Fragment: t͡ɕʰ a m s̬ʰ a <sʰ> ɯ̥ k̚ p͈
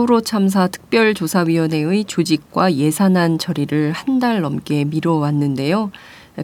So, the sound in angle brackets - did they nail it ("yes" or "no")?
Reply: no